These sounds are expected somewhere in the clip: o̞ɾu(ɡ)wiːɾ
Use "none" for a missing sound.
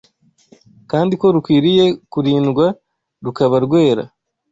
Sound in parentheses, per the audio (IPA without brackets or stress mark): k